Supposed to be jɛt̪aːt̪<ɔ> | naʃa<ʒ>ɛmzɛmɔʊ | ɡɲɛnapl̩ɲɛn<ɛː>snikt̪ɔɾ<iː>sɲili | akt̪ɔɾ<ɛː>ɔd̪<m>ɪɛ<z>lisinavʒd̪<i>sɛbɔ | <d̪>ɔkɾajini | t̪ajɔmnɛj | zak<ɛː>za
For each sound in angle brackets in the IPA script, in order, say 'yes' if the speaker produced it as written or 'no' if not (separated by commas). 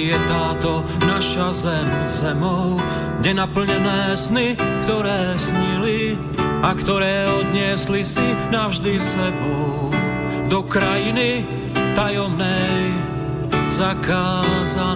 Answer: yes, no, yes, no, yes, no, no, yes, yes, no